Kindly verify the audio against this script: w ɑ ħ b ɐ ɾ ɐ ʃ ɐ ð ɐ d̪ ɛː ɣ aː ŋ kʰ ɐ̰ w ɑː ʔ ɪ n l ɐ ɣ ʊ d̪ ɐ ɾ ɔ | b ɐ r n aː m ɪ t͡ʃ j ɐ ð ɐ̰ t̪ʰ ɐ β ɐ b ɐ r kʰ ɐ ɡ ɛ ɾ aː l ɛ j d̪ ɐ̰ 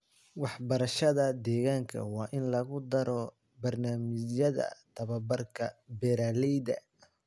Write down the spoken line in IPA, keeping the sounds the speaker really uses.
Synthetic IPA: w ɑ ħ b ɐ ɾ ɐ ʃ ɐ ð ɐ d̪ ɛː ɣ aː ŋ kʰ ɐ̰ w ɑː ʔ ɪ n l ɐ ɣ ʊ d̪ ɐ ɾ ɔ | b ɐ r n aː m ɪ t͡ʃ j ɐ ð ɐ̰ t̪ʰ ɐ β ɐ b ɐ r kʰ ɐ b ɛ ɾ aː l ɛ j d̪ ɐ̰